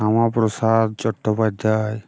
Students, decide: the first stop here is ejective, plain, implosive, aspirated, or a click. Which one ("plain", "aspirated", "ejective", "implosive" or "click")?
plain